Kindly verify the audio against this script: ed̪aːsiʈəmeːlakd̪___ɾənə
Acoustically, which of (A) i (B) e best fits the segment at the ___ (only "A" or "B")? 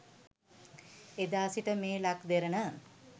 B